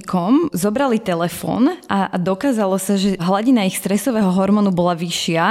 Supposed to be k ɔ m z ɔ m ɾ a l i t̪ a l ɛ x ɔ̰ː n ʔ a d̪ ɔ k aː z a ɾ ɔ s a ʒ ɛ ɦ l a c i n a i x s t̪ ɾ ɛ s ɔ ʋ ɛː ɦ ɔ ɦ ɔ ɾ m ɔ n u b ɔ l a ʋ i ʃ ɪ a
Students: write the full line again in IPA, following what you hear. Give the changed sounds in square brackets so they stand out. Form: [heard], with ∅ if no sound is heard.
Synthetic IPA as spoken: k ɔ m z ɔ [b] ɾ a l i t̪ [ɛ] l ɛ [f] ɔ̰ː n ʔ a d̪ ɔ k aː z a [l] ɔ s a ʒ ɛ ɦ l a [ɟ] i n a i x s t̪ ɾ ɛ s ɔ ʋ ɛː ɦ ɔ ɦ ɔ ɾ m ɔ n u b ɔ l a ʋ i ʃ ɪ a